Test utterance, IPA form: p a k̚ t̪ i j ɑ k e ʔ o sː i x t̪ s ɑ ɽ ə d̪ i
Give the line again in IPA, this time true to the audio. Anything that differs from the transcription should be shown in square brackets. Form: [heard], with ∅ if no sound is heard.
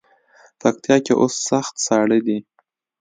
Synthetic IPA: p a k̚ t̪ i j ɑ k e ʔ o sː [a] x t̪ s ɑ ɽ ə d̪ i